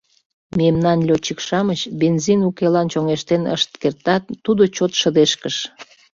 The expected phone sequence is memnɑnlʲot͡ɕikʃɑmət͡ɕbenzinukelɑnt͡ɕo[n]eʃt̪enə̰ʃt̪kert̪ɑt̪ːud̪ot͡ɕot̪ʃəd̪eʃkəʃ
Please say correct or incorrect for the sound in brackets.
incorrect